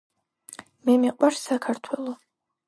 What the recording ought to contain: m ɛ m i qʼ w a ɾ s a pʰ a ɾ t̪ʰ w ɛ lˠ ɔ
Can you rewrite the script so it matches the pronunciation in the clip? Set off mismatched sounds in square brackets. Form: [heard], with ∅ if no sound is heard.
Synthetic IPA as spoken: m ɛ m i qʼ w a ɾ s a [kʰ] a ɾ t̪ʰ w ɛ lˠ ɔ